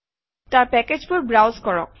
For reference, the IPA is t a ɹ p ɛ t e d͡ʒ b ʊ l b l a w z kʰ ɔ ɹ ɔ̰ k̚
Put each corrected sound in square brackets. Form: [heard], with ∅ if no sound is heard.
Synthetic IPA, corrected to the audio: t a ɹ p ɛ [k] e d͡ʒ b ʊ [ɹ] b [ɹ] a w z [k] ɔ ɹ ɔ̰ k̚